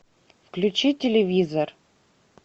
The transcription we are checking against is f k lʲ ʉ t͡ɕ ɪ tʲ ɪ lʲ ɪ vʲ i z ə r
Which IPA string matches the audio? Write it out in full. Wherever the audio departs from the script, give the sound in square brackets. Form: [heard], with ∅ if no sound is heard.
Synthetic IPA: f k lʲ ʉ t͡ɕ [i] tʲ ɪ lʲ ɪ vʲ i z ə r